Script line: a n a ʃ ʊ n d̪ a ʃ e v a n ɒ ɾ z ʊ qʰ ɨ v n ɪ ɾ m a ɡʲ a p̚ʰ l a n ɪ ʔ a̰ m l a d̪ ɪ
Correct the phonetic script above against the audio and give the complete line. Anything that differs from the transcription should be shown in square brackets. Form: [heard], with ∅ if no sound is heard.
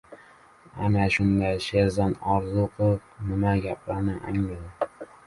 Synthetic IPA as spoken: a n a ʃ ʊ n d̪ a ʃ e [z] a n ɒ ɾ z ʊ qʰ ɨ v n ɪ [∅] m a ɡʲ a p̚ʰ l a n ɪ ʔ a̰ [ŋ] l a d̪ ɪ